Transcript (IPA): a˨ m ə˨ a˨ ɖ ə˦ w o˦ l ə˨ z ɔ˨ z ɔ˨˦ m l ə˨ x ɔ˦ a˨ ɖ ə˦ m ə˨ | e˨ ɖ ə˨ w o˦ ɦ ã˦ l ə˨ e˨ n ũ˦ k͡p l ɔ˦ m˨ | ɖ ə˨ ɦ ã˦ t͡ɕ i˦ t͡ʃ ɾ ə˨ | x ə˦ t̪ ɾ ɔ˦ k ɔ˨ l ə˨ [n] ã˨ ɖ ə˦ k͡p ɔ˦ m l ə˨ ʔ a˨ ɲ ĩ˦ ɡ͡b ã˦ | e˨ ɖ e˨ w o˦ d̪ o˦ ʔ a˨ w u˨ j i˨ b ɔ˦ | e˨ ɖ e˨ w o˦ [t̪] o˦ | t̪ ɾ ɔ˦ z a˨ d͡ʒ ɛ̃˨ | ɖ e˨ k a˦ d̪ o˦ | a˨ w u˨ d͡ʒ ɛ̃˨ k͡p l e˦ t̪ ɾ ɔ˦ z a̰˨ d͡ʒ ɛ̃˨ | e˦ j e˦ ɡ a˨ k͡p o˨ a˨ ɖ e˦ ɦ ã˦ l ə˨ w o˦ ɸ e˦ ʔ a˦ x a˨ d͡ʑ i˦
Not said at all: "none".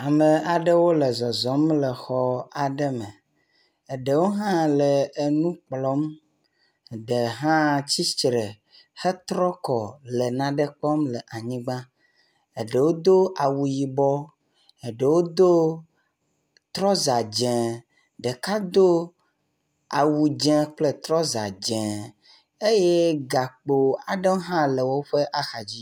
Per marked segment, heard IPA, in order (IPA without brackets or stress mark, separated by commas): n, d̪